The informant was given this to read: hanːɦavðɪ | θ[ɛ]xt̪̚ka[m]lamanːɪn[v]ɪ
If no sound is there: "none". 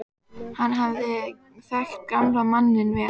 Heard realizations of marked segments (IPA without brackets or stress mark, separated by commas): ɛ, m, v